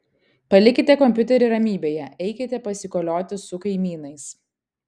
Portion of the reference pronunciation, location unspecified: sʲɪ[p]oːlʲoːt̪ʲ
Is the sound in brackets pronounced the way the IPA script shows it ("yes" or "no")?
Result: no